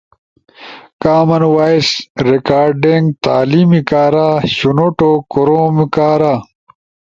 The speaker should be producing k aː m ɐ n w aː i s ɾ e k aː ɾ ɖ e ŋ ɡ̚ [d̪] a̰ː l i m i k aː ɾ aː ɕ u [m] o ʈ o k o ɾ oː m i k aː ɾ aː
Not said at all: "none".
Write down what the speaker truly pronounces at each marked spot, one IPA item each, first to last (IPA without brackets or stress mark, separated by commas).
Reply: t̪, n